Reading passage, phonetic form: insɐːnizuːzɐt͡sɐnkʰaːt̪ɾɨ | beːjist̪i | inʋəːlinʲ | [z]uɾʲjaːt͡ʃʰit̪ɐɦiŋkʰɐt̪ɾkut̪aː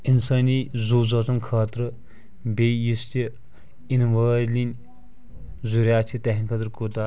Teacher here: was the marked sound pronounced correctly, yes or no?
yes